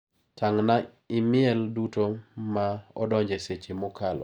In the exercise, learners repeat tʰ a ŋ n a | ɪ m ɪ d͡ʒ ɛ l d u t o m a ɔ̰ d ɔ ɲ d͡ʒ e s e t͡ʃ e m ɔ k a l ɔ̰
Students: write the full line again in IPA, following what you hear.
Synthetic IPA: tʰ a ŋ n a | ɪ m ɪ ɛ l d u t o m a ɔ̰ d ɔ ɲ d͡ʒ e s e t͡ʃ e m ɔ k a l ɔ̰